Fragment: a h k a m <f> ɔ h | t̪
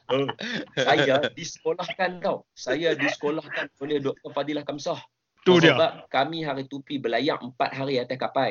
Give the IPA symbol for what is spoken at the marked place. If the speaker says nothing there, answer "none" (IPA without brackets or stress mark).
s